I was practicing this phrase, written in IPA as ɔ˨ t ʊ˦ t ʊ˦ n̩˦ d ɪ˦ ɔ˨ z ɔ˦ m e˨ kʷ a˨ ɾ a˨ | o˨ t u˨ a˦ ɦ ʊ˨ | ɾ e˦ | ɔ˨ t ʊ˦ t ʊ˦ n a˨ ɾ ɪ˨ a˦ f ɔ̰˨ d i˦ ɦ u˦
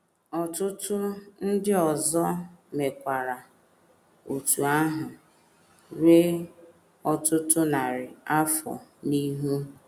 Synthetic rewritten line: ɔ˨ t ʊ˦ t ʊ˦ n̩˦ d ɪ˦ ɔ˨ z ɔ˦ m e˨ kʷ a˨ ɾ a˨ | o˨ t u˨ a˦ ɦ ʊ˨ | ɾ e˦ | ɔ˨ t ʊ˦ t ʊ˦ n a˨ ɾ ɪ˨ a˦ f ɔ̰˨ n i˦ ɦ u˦